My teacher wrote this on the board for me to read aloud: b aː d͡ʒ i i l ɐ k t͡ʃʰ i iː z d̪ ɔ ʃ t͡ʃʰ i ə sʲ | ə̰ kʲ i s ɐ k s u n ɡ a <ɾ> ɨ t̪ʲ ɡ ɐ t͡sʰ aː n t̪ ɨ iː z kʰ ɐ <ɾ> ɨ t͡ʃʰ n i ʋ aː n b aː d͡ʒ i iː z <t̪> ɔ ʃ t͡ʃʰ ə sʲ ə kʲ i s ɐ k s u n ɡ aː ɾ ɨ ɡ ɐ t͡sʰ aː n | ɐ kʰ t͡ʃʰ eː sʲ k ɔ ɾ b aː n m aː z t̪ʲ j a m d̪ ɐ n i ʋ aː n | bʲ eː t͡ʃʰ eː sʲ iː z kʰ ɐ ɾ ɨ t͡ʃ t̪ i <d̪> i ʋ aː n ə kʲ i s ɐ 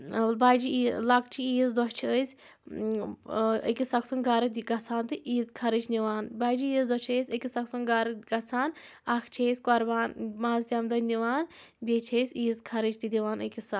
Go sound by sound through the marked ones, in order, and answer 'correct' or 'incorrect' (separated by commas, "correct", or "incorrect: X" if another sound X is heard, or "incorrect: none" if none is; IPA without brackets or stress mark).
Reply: correct, correct, incorrect: d̪, correct